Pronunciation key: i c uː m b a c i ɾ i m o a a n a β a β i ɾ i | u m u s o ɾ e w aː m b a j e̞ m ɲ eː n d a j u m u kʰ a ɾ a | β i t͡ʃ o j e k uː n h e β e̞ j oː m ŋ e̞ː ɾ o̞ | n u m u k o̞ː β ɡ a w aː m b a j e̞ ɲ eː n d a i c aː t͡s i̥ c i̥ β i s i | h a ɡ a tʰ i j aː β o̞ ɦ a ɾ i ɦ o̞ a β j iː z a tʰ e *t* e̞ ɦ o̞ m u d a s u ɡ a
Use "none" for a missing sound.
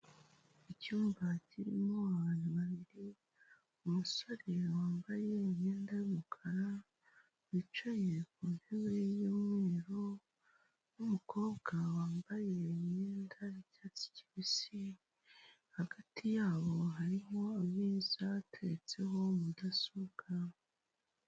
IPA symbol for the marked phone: t͡s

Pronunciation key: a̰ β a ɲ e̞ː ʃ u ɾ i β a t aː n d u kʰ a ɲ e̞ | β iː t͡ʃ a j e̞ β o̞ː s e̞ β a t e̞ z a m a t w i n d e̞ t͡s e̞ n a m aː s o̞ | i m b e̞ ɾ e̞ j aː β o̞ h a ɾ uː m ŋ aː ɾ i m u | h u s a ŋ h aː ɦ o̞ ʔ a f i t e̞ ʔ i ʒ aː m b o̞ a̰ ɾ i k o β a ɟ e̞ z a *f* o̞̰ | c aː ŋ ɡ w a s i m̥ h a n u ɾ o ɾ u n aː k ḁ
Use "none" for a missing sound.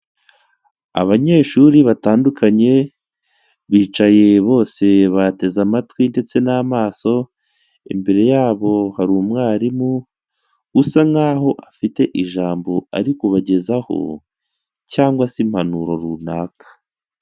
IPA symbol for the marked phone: h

